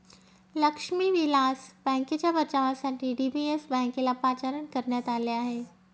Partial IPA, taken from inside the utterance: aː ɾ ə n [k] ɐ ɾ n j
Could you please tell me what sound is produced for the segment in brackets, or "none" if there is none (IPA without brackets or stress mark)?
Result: k